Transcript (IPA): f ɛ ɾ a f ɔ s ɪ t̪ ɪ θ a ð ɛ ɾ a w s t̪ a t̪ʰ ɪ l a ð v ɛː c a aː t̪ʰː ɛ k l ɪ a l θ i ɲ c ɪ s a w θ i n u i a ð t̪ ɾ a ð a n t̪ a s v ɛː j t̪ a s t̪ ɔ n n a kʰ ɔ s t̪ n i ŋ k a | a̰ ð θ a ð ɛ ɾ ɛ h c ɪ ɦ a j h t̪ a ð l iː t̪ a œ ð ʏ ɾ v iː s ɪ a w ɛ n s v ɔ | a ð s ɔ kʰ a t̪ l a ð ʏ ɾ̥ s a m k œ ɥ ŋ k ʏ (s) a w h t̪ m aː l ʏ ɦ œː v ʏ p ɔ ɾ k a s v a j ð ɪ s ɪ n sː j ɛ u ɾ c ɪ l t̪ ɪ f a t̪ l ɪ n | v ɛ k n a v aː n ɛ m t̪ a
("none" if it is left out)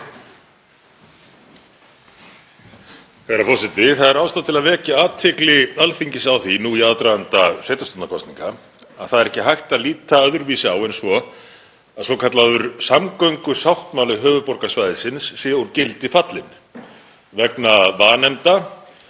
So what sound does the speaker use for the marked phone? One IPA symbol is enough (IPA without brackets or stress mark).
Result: s